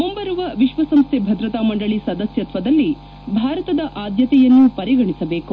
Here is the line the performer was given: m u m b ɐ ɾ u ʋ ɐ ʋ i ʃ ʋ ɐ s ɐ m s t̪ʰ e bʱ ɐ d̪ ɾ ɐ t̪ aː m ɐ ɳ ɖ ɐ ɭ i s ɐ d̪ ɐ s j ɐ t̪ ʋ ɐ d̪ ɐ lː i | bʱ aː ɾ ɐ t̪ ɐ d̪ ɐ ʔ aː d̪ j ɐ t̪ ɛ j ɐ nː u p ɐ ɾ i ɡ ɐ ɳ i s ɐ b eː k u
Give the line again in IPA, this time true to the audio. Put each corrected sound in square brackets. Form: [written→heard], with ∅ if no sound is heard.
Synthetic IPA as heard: m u m b ɐ ɾ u ʋ ɐ ʋ i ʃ ʋ ɐ s ɐ m s t̪ʰ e bʱ ɐ d̪ ɾ ɐ t̪ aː m ɐ ɳ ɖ ɐ ɭ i s ɐ d̪ ɐ s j ɐ t̪ ʋ ɐ d̪ ɐ lː i | bʱ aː ɾ ɐ t̪ ɐ d̪ ɐ ʔ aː d̪ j ɐ t̪ ɛ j ɐ nː u p ɐ ɾ i ɡ ɐ ɳ i s ɐ b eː k u